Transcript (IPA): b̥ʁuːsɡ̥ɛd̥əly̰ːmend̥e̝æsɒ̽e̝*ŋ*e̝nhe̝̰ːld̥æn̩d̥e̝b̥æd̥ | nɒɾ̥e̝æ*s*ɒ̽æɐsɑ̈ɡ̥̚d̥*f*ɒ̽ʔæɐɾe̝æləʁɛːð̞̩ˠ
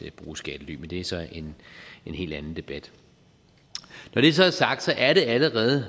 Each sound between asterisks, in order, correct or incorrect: incorrect, correct, incorrect

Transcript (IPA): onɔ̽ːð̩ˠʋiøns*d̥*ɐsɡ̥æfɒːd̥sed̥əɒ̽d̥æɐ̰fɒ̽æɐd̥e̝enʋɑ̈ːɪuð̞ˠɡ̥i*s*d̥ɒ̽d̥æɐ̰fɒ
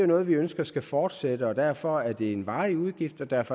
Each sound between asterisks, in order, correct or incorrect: incorrect, incorrect

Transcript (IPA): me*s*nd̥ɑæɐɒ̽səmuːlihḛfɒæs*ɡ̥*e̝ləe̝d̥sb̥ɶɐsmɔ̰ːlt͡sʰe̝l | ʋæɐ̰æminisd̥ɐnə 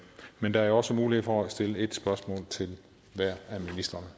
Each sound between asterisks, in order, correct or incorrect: incorrect, incorrect

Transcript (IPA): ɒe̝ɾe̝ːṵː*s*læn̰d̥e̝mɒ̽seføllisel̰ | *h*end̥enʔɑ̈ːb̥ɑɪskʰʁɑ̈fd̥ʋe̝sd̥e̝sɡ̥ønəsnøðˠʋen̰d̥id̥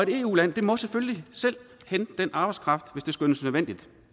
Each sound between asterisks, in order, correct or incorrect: incorrect, correct

